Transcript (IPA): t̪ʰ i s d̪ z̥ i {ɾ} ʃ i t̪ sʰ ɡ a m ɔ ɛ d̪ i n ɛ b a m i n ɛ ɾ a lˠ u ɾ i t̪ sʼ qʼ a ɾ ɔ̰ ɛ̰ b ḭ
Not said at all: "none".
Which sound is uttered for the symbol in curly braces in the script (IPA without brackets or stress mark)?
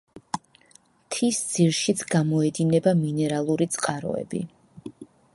ɾ